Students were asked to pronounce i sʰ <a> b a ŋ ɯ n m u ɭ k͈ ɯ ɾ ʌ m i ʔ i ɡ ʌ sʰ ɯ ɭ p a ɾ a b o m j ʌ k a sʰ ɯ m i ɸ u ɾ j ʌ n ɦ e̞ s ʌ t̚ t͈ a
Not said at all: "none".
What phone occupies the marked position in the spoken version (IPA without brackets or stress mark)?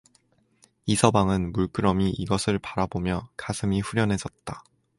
ʌ